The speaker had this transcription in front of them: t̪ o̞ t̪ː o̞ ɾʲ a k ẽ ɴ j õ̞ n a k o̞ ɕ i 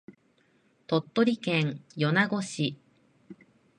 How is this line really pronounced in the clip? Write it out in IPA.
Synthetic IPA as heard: t̪ o̞ t̪ː o̞ ɾʲ i k ẽ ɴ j o̞ n a ɡ o̞ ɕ i